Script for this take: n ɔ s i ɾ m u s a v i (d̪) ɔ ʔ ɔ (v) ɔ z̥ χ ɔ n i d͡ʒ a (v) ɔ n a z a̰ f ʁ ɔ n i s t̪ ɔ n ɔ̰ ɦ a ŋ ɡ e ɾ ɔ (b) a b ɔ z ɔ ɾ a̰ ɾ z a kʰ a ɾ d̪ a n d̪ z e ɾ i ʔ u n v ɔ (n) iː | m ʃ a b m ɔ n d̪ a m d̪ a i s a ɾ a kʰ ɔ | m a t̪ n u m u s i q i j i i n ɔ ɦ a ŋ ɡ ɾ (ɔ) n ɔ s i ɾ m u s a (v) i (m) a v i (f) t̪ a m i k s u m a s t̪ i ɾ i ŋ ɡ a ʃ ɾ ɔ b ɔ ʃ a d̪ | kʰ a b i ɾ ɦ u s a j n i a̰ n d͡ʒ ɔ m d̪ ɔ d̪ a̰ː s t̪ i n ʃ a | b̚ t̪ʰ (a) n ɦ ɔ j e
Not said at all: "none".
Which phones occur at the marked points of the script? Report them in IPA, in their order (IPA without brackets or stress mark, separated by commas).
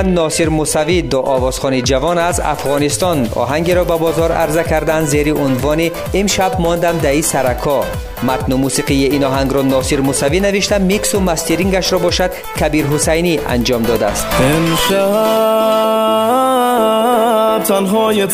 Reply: d̪, v, v, b, n, ɔ, v, n, ʃ, a